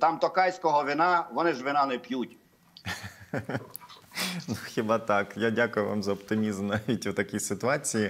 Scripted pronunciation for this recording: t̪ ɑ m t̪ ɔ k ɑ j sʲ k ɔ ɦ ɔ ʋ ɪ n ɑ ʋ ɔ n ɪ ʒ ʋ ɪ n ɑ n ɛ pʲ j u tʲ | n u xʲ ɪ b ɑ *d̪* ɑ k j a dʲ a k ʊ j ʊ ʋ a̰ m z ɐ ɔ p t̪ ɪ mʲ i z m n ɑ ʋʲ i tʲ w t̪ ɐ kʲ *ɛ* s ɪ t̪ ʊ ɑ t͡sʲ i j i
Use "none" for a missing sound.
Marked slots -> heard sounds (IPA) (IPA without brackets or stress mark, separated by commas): t̪, i